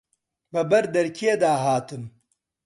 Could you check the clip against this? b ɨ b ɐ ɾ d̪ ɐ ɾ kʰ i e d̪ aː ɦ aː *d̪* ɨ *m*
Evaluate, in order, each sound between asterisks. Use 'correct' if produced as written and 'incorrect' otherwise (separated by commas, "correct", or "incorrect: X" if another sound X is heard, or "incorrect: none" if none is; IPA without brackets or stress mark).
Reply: incorrect: t̪, correct